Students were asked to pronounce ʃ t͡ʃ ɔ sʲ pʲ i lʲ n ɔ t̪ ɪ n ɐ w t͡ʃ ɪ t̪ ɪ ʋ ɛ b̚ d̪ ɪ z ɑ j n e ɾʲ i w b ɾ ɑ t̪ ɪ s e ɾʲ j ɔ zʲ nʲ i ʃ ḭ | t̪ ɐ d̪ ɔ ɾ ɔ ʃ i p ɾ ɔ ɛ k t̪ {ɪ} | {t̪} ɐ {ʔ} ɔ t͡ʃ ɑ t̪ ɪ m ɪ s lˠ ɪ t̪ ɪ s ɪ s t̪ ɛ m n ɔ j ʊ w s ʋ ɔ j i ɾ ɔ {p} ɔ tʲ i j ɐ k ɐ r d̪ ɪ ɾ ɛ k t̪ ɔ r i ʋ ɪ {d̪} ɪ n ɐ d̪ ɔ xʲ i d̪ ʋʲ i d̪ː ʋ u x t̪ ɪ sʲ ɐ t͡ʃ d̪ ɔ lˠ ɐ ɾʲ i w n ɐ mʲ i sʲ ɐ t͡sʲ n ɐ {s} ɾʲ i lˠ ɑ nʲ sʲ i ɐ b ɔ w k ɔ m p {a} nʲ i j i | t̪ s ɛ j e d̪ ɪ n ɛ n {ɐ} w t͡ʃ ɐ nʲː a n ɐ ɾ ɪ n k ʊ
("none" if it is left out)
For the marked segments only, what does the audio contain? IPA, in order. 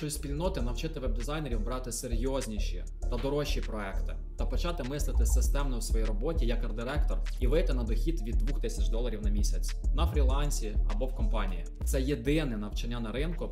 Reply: ɪ, t̪, p, b, t̪, f, ɑ, ɐ

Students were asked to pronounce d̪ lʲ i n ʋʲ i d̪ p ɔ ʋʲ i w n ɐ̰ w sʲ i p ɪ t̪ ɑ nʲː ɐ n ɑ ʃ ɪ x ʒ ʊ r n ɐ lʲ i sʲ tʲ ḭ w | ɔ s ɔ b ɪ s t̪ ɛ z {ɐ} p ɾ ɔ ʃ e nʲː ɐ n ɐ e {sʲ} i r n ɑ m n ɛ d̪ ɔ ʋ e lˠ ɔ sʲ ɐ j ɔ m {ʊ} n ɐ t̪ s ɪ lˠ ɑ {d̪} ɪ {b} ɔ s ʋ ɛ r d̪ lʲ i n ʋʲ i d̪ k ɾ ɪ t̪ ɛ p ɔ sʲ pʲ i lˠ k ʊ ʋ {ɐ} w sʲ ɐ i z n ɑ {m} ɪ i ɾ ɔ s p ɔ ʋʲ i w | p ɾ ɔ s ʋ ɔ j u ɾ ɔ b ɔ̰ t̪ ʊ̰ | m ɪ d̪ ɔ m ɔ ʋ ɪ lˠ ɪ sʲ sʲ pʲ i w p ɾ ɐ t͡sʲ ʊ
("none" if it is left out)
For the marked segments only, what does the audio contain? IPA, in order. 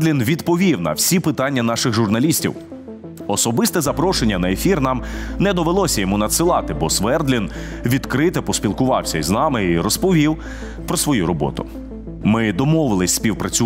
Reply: ɐ, fʲ, u, t̪, b, ɑ, m

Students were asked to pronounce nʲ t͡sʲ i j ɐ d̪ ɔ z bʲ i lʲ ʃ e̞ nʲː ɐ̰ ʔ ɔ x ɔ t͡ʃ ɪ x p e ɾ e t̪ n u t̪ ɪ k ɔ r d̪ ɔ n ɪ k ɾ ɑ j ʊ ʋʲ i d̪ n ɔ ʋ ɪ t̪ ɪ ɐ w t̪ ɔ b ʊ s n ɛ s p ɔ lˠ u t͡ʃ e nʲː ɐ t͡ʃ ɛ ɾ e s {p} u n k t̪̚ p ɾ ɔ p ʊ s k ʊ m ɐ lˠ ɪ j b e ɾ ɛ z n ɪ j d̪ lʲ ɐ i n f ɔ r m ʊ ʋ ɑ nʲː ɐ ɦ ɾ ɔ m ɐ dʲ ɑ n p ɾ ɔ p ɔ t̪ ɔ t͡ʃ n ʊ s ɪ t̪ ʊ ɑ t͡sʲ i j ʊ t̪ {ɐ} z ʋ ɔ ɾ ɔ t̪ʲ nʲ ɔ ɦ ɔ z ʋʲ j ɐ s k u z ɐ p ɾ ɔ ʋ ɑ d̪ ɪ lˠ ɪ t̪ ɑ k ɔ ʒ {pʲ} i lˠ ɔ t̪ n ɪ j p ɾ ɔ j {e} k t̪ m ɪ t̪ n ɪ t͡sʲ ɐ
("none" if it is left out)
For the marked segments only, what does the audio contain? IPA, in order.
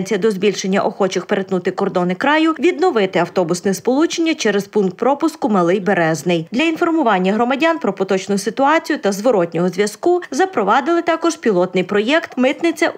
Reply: p, ɐ, pʲ, ɛ

